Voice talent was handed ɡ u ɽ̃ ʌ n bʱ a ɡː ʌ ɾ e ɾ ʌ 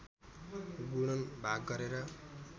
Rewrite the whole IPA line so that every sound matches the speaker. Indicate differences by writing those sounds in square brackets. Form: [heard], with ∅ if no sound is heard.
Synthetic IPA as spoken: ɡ u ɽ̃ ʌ n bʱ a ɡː ʌ ɾ e ɾ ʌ